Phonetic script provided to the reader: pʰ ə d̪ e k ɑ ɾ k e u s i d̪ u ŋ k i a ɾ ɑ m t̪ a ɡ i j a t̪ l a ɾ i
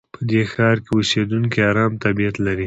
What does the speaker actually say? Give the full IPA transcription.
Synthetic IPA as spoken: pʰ ə d̪ e x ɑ ɾ k e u s e d̪ u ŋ k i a ɾ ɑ m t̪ a b i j a t̪ l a ɾ i